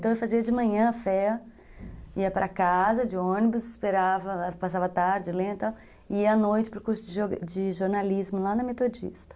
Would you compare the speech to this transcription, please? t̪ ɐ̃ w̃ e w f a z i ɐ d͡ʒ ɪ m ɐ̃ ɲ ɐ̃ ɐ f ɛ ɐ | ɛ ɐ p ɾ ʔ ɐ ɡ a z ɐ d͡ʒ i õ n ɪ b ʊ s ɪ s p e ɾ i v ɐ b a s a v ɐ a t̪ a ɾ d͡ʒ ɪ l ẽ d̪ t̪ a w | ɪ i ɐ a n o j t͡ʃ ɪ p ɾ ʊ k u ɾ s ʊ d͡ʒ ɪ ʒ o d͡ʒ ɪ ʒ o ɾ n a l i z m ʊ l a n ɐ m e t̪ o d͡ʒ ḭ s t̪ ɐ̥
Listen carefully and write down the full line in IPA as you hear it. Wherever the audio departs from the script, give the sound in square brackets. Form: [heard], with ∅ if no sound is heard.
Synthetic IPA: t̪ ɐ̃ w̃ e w f a z i ɐ d͡ʒ ɪ m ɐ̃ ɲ ɐ̃ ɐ f ɛ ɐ | [i] ɐ p ɾ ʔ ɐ [k] a z ɐ d͡ʒ [ɪ] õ n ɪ b ʊ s ɪ s p e ɾ [a] v ɐ [p] a s a v ɐ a t̪ a ɾ d͡ʒ ɪ l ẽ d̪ t̪ a w | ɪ i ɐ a n o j t͡ʃ ɪ p ɾ ʊ k u ɾ s ʊ d͡ʒ ɪ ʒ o d͡ʒ ɪ ʒ o ɾ n a l i z m ʊ l a n ɐ m e t̪ o d͡ʒ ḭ s t̪ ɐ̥